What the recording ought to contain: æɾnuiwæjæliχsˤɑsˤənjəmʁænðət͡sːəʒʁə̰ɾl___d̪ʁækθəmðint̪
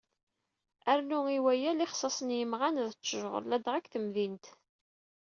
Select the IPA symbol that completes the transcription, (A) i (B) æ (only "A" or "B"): B